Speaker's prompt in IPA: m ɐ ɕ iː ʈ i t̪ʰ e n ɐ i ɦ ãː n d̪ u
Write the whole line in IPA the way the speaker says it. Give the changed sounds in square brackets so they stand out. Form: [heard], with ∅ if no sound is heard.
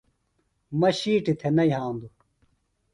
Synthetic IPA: m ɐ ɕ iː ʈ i t̪ʰ e n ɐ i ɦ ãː n d̪ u

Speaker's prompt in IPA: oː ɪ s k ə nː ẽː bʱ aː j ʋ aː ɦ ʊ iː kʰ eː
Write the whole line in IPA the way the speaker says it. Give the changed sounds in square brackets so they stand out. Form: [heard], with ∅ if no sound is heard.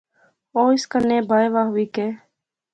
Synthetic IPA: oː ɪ s k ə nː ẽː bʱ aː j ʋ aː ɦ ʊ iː [k] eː

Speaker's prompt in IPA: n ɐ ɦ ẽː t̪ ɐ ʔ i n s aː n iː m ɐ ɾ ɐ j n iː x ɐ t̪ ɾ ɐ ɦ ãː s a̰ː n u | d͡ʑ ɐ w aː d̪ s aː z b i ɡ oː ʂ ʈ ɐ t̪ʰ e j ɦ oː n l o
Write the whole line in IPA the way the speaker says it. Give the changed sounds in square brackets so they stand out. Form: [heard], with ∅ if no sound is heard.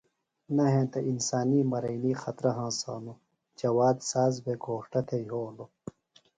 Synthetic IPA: n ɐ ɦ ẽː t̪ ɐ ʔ i n s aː n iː m ɐ ɾ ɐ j n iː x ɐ t̪ ɾ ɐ ɦ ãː s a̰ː n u | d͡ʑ ɐ w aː d̪ s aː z b [e] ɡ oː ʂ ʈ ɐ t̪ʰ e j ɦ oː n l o

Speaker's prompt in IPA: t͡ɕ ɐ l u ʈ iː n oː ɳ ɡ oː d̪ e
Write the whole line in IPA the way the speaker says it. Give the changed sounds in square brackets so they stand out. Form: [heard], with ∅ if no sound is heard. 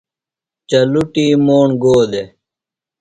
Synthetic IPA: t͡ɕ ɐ l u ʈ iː [m] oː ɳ ɡ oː d̪ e

